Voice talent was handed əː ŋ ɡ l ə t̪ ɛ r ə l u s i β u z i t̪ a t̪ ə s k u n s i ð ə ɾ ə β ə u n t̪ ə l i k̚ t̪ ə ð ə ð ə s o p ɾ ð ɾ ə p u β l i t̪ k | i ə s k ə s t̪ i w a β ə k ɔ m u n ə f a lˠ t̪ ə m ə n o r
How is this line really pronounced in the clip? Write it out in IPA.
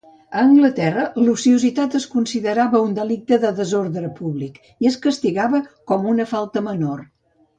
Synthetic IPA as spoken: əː ŋ ɡ l ə t̪ ɛ r ə l u s i u z i t̪ a t̪ ə s k u n s i ð ə ɾ a β ə u n d̪ ə l i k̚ t̪ ə ð ə ð ə z o ɾ ð ɾ ə p u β l i k | i ə s k ə s t̪ i ɣ a β ə k ɔ m u n ə f a lˠ t̪ ə m ə n o r